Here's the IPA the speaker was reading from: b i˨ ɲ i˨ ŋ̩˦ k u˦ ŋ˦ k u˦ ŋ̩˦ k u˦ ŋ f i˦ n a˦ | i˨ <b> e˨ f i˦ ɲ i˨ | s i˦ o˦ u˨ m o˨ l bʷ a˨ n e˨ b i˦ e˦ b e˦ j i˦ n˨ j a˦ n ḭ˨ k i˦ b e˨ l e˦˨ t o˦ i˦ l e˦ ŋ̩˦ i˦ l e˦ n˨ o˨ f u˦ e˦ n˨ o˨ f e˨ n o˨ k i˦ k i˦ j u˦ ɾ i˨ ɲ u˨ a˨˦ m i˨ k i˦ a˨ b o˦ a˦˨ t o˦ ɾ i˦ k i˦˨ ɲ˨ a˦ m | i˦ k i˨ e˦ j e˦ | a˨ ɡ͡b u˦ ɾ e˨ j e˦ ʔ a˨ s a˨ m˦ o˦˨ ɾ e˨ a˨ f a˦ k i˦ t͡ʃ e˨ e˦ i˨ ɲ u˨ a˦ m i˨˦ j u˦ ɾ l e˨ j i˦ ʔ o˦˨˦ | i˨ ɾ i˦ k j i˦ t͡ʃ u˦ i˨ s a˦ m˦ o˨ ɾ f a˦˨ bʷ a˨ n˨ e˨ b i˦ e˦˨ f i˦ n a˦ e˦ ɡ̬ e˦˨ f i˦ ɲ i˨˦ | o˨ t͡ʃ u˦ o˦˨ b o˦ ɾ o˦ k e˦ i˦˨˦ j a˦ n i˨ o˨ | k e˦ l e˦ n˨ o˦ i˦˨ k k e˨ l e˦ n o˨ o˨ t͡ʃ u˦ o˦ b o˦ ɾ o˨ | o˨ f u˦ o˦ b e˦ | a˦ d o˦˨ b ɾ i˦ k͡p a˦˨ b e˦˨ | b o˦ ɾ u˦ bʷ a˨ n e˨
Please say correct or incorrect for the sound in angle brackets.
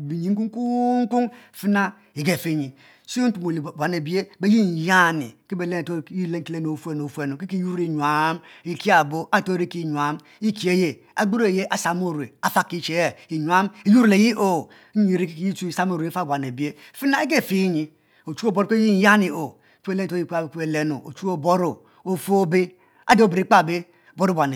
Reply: incorrect